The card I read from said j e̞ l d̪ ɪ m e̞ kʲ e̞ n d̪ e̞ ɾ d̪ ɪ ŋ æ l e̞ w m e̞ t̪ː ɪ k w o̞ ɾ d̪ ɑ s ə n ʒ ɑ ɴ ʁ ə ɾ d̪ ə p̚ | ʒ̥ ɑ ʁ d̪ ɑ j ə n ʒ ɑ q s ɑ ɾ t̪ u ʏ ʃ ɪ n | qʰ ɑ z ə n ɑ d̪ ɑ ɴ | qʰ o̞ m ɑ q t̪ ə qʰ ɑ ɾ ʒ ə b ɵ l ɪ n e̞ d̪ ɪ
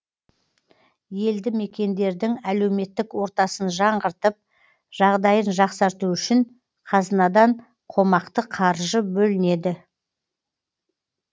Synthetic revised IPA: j e̞ l d̪ ɪ m e̞ kʲ e̞ n d̪ e̞ ɾ d̪ ɪ ŋ æ l e̞ w m e̞ t̪ː ɪ k w o̞ ɾ t̪ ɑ s ə n ʒ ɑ ɴ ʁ ə ɾ t̪ ə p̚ | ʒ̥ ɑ ʁ d̪ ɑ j ə n ʒ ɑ q s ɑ ɾ t̪ u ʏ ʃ ɪ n | qʰ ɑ z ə n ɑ d̪ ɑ ɴ | qʰ o̞ m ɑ q t̪ ə qʰ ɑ ɾ ʒ ə b ɵ l ɪ n e̞ d̪ ɪ